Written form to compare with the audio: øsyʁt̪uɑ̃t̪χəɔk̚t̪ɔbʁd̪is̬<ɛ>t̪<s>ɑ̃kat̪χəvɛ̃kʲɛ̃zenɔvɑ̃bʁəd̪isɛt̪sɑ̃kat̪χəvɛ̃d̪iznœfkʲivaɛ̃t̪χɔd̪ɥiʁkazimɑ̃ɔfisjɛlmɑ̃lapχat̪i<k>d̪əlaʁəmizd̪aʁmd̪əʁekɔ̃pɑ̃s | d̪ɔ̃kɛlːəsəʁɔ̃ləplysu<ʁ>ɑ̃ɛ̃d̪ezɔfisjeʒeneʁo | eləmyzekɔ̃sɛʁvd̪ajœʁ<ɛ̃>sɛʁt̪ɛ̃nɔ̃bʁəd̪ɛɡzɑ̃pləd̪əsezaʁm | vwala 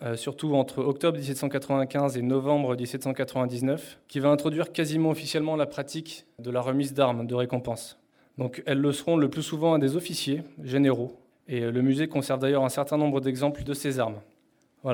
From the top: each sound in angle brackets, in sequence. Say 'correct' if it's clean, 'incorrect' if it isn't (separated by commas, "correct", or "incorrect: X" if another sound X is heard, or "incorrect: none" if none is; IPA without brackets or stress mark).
correct, correct, correct, incorrect: v, correct